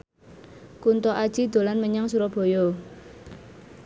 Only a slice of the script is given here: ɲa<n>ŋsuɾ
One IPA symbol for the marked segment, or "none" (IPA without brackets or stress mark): none